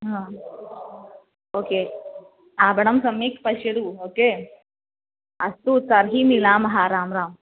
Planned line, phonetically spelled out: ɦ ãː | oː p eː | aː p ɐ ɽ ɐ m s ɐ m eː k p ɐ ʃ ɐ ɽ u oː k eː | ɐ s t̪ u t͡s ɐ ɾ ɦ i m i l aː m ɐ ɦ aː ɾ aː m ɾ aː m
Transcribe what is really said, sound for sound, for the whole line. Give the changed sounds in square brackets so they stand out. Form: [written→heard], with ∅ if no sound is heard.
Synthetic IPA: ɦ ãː | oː [p→k] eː | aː [p→b] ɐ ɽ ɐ m s ɐ m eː k p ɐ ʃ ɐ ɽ u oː k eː | ɐ s t̪ u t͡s ɐ ɾ ɦ i m i l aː m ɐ ɦ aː ɾ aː m ɾ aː m